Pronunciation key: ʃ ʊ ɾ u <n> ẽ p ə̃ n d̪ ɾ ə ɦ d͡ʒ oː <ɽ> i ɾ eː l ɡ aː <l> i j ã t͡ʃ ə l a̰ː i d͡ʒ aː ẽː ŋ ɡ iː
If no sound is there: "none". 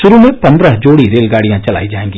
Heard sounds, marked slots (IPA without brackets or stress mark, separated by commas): m, ɽ, ɽ